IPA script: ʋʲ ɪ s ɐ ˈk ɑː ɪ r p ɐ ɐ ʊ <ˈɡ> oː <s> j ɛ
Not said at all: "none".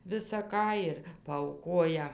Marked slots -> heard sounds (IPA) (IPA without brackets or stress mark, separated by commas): k, none